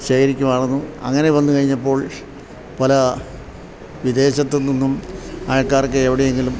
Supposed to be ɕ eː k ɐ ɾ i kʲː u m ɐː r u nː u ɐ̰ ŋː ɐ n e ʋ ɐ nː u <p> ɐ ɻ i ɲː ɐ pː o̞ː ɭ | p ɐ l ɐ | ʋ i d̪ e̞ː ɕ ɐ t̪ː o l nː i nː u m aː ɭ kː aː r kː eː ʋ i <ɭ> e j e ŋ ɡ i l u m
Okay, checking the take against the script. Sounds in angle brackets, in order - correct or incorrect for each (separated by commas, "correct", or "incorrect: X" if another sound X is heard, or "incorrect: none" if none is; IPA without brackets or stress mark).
incorrect: k, incorrect: ɽ